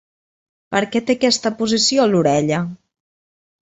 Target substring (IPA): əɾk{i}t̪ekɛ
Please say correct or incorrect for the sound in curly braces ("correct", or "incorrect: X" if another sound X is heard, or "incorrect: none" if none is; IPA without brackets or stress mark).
incorrect: ɛ